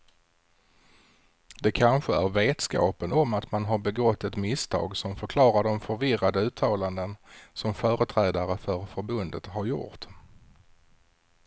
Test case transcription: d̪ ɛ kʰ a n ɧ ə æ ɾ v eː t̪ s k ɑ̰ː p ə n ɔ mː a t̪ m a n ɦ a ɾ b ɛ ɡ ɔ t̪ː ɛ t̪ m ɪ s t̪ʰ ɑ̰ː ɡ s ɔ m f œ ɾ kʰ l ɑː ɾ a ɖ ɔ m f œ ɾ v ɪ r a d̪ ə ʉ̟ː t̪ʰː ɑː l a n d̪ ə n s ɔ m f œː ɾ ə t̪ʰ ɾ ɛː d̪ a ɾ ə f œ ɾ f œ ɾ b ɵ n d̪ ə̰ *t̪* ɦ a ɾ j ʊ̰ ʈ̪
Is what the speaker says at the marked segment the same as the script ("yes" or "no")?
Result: yes